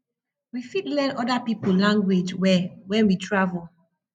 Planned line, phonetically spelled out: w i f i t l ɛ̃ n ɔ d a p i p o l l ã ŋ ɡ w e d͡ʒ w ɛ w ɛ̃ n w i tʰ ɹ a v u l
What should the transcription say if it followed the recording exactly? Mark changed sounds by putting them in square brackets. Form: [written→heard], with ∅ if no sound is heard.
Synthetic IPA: w i f i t l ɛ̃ n ɔ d a p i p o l l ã ŋ ɡ w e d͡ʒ w ɛ w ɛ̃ n w i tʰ ɹ a v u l